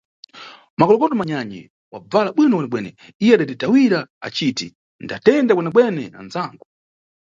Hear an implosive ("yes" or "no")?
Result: yes